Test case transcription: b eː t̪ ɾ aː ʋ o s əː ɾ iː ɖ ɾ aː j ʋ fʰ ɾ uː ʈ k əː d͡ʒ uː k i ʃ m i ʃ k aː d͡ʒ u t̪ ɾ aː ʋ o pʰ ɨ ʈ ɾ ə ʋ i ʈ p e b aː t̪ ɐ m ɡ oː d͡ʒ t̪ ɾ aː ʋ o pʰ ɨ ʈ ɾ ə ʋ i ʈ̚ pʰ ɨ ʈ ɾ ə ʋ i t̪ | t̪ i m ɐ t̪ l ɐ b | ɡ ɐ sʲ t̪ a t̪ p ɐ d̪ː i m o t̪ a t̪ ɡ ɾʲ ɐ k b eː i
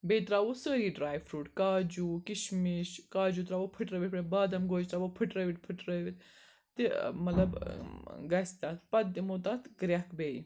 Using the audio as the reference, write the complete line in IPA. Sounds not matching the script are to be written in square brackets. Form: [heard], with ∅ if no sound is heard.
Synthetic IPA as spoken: b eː t̪ ɾ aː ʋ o s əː ɾ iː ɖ ɾ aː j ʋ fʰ ɾ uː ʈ k [aː] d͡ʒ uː k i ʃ m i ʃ k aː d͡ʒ u t̪ ɾ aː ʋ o pʰ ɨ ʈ ɾ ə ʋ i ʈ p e b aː [d̪] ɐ m ɡ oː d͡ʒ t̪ ɾ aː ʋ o pʰ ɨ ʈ ɾ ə ʋ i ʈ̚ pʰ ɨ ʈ ɾ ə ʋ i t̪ | t̪ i m ɐ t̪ l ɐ b | ɡ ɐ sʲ t̪ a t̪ p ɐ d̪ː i m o t̪ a t̪ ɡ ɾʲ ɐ k b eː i